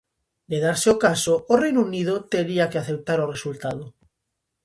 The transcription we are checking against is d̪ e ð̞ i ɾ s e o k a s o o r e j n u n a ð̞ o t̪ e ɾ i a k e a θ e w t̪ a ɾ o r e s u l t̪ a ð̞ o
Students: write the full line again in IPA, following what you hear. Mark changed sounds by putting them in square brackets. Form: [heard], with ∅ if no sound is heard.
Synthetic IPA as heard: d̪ e ð̞ [a] ɾ s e o k a s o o r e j n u n [i] ð̞ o t̪ e ɾ i a k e a θ e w t̪ a ɾ o r e s u l t̪ a ð̞ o